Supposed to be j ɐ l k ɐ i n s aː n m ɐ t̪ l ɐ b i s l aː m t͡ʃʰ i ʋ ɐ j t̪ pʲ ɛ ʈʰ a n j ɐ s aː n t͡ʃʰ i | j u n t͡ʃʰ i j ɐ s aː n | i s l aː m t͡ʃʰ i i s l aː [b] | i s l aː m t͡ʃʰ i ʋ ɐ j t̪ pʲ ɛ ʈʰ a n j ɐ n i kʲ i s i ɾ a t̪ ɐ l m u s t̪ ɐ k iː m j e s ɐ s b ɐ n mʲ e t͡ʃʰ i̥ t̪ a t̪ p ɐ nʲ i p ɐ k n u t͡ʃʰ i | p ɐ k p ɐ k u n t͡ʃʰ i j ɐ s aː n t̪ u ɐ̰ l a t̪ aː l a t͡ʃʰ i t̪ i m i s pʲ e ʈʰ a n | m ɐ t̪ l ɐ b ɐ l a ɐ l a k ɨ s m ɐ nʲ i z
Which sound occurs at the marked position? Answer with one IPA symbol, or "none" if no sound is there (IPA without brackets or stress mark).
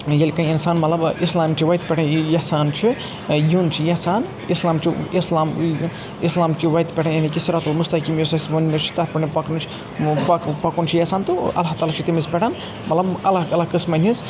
m